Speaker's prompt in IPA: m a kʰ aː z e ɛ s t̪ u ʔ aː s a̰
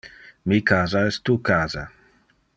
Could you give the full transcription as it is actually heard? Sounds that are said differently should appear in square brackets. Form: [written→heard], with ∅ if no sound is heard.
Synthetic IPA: m [a→i] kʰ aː z [e→a] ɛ s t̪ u [ʔ→k] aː [s→z] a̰